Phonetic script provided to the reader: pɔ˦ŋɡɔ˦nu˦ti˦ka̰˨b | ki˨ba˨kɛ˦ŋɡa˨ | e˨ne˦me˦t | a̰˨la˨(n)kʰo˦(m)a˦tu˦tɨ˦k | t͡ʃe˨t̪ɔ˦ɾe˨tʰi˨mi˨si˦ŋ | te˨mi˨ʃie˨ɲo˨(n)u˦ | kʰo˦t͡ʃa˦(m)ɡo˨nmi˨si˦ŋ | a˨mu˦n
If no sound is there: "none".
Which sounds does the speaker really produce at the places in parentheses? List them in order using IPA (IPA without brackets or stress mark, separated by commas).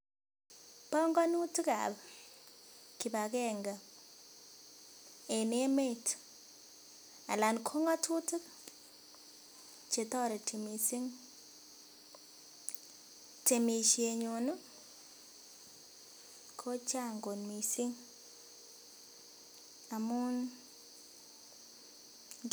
n, ŋ, n, ŋ